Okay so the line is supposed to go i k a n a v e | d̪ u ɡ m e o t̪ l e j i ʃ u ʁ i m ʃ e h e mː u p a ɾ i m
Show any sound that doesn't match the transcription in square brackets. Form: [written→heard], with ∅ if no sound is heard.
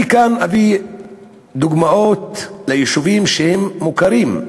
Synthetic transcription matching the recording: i k a n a v [e→i] | d̪ u ɡ m [e→a] o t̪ l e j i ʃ u [ʁ→v] i m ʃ e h e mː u [p→k] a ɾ i m